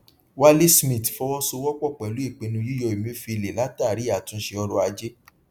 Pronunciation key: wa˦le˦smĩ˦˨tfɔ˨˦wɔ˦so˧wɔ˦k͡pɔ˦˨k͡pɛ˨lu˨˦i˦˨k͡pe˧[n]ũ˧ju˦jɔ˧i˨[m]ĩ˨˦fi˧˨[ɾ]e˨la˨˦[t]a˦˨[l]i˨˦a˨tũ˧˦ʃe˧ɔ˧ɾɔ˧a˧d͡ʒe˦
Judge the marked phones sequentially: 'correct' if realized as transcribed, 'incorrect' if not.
correct, correct, incorrect, correct, incorrect

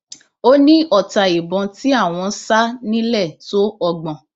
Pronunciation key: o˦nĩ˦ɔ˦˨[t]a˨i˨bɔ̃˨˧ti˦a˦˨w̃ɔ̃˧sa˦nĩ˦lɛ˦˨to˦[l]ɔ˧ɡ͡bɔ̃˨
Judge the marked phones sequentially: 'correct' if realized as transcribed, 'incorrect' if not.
correct, incorrect

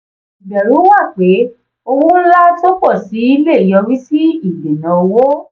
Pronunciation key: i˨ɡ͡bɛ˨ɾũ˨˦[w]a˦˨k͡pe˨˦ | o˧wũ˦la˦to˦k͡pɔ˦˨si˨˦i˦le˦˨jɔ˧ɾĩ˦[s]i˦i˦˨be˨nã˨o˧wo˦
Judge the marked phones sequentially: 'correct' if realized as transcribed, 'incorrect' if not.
correct, correct

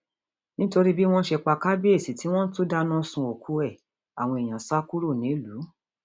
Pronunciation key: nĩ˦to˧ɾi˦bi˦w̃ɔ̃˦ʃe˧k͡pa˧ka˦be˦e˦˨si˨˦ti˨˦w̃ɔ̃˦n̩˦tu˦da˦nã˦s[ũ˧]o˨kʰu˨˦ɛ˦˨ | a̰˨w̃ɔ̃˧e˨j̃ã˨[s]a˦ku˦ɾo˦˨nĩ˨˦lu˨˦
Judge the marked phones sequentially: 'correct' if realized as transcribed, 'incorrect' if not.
correct, correct

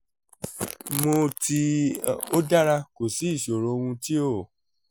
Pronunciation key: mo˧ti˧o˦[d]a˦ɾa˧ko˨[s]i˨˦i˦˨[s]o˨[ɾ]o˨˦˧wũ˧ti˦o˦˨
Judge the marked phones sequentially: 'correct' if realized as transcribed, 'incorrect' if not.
correct, correct, incorrect, correct

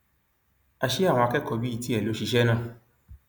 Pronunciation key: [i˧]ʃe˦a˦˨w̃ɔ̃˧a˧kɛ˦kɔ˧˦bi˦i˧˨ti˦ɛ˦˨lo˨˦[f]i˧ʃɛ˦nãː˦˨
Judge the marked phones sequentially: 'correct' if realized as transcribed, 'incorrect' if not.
incorrect, incorrect

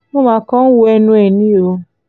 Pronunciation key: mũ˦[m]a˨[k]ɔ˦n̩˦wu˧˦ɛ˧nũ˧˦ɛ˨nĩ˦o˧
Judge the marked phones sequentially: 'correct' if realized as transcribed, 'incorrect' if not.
correct, correct

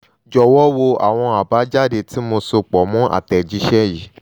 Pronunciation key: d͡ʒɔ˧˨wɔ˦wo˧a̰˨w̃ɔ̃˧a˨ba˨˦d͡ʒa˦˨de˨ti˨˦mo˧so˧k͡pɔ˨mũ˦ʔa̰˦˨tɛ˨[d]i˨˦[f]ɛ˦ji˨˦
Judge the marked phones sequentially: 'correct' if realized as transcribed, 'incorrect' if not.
incorrect, incorrect

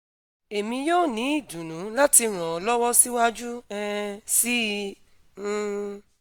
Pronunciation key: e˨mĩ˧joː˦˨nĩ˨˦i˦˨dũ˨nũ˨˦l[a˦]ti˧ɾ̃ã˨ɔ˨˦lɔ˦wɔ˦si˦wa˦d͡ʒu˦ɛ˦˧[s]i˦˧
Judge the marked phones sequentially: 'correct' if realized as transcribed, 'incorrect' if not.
correct, correct

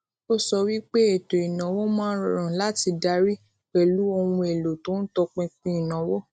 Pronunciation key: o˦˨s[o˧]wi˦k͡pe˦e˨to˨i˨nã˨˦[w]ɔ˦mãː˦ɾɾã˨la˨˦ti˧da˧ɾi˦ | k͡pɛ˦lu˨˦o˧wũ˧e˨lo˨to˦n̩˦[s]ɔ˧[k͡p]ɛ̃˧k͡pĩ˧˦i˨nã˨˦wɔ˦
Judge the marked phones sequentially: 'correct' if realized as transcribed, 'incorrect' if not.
incorrect, correct, incorrect, correct

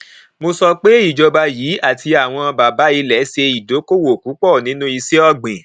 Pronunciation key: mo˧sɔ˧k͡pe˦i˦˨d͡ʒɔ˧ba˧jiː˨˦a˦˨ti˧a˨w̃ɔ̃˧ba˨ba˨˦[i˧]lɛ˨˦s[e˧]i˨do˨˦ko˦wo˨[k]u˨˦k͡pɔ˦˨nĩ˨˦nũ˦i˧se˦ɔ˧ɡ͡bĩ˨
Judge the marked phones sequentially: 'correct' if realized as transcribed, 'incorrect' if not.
correct, correct, correct

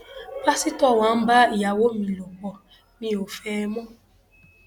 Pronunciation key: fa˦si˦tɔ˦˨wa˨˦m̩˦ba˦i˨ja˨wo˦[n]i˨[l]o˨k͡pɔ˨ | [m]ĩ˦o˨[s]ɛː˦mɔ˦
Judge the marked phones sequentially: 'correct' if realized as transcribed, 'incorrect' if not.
incorrect, correct, correct, incorrect

